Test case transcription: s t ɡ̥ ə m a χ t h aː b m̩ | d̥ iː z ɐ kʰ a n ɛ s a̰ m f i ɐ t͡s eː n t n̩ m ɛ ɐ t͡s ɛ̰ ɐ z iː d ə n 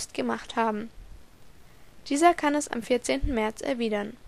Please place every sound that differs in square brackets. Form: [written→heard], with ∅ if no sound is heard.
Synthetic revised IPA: s t ɡ̥ ə m a χ t h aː b m̩ | d̥ iː z ɐ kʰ a n ɛ s a̰ m f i ɐ t͡s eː n t n̩ m ɛ ɐ t͡s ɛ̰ ɐ [z→v] iː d [ə→ɐ] n